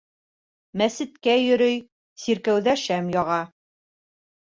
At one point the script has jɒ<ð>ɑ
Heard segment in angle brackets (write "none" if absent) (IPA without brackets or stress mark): ʁ